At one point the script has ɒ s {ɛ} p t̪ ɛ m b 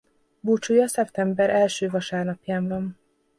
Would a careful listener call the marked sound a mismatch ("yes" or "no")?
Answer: no